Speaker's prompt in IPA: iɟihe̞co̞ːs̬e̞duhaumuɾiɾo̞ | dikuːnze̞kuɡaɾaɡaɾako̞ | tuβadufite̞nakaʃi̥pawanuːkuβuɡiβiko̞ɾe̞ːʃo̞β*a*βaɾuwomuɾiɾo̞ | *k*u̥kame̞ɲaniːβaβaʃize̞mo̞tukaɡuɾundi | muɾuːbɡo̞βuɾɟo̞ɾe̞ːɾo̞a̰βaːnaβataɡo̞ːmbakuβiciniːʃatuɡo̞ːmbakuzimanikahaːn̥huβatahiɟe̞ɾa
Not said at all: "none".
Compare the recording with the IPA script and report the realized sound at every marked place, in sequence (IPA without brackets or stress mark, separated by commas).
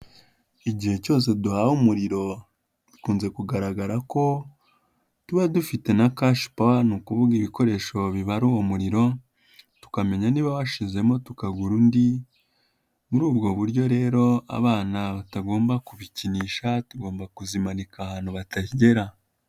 i, t